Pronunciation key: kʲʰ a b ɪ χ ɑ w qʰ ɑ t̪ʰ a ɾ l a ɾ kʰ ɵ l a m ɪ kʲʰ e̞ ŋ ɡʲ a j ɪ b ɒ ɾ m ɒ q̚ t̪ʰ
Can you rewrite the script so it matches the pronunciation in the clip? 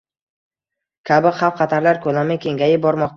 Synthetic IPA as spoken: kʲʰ a b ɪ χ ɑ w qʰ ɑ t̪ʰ a ɾ l a ɾ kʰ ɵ l a m ɪ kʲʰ e̞ ŋ ɡʲ a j ɪ b ɒ ɾ m ɒ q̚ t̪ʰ